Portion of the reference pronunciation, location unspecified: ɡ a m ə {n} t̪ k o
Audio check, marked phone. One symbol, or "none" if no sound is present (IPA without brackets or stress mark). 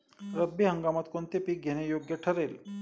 none